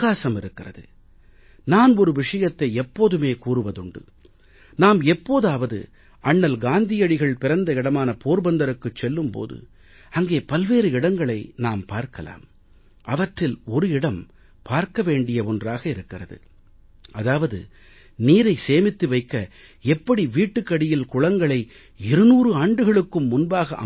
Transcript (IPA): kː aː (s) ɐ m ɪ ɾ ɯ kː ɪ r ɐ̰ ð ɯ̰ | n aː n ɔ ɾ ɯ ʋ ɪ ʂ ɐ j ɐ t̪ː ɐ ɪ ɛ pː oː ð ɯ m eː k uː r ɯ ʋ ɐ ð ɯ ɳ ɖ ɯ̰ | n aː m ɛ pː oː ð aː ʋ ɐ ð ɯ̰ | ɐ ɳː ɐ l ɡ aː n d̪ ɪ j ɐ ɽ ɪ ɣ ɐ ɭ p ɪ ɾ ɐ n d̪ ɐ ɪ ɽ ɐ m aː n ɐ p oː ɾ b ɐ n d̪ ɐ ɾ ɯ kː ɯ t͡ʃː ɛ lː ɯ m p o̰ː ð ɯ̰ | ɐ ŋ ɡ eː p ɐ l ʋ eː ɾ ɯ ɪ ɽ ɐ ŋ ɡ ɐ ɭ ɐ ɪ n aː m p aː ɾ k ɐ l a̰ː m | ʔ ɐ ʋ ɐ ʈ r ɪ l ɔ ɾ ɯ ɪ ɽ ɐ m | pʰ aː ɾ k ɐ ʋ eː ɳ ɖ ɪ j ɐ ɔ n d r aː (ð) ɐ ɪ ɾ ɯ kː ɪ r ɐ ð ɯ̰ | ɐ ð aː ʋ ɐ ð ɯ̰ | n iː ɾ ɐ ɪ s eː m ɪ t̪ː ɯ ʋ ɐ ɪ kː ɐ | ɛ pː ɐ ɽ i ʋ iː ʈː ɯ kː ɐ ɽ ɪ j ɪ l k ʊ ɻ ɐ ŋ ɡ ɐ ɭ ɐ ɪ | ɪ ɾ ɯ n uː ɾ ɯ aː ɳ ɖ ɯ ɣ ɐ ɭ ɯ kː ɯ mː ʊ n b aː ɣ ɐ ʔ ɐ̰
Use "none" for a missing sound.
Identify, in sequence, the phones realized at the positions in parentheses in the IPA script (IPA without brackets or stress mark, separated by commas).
s, ɣ